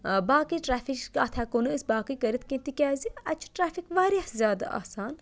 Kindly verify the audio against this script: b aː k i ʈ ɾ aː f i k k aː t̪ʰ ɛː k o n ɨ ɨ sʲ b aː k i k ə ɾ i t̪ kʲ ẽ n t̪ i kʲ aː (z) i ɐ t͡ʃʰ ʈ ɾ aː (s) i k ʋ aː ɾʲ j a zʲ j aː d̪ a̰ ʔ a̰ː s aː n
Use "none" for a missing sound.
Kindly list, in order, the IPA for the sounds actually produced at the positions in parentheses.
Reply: z, f

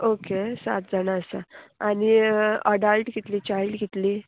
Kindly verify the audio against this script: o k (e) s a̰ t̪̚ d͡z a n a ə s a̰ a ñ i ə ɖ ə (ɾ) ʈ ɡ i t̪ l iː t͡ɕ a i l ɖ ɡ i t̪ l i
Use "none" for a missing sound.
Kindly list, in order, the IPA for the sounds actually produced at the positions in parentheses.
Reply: e, l

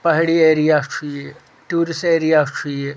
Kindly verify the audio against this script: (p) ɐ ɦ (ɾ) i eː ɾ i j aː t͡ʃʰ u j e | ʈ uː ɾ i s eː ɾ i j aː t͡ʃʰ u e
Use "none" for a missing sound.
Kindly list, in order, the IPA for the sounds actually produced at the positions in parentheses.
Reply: p, ɽ

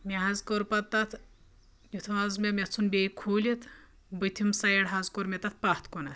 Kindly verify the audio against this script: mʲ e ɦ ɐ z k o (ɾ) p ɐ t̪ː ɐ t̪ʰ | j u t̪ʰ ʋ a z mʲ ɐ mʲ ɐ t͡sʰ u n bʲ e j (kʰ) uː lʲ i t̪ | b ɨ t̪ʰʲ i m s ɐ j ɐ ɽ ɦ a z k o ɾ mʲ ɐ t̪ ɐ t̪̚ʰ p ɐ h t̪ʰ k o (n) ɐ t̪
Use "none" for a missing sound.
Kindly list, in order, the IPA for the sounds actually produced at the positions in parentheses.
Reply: ɾ, kʰ, n

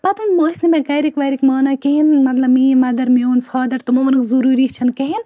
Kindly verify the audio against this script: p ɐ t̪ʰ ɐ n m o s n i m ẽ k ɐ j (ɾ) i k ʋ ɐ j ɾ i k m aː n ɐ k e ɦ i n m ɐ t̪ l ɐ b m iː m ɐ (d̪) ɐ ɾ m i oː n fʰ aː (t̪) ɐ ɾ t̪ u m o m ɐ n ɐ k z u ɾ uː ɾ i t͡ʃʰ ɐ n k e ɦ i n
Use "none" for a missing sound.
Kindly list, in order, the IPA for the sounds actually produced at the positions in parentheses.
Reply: ɾ, d̪, d̪

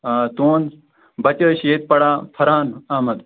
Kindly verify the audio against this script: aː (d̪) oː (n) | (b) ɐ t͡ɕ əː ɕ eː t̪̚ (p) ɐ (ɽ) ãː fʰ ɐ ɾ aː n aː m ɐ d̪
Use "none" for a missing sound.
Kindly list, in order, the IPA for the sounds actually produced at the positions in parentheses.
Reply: t̪, n, b, p, ɽ

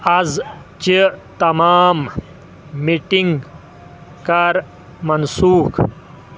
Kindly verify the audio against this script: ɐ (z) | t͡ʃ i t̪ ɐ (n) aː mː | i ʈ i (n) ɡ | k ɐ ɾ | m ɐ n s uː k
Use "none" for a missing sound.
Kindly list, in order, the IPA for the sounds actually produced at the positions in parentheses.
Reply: z, m, ŋ

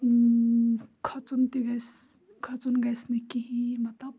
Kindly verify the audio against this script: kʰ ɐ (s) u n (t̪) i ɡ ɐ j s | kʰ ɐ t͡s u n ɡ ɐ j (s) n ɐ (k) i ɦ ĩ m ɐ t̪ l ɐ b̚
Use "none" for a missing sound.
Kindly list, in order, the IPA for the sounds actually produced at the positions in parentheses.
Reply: t͡s, t̪, s, k

